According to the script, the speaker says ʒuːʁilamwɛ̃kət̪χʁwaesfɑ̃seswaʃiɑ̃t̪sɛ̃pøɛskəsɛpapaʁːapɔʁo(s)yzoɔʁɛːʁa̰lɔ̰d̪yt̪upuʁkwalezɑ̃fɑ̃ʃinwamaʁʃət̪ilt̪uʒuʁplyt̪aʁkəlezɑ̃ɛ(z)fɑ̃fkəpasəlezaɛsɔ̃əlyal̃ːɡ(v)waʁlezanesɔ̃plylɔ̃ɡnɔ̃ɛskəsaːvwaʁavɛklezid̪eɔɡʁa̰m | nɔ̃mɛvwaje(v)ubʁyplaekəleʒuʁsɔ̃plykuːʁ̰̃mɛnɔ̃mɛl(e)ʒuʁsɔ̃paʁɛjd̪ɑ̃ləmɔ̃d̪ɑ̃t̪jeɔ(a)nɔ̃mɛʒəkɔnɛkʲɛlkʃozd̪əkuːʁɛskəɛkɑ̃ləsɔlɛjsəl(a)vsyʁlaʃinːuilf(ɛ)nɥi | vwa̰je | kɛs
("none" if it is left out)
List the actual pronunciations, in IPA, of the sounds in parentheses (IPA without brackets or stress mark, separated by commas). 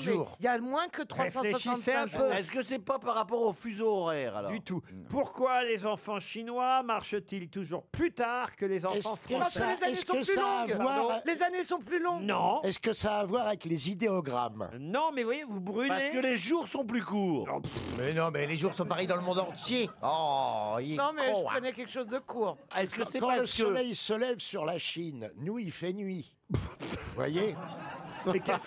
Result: f, s, v, v, e, i, ɛ, ɛ